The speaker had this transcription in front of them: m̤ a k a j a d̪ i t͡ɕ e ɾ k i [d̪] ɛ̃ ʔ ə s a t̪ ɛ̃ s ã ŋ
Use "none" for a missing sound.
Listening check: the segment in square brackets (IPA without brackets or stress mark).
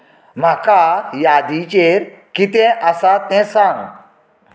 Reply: t̪